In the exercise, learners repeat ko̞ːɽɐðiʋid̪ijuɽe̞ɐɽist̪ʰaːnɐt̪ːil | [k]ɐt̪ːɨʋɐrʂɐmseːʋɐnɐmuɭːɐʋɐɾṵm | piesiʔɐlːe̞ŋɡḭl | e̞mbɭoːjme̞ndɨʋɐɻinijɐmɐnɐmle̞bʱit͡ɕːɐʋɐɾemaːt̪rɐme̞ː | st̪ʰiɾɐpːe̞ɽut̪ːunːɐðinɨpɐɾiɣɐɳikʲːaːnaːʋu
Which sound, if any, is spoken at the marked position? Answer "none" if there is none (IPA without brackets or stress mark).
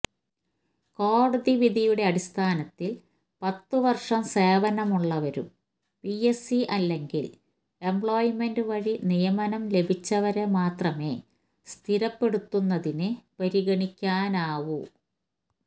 p